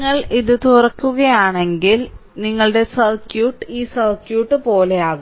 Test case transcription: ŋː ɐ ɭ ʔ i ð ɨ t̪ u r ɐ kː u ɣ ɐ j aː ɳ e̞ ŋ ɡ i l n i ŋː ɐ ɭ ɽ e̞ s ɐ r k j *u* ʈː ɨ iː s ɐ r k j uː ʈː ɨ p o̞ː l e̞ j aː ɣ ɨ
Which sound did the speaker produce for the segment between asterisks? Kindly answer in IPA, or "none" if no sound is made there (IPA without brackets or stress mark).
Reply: uː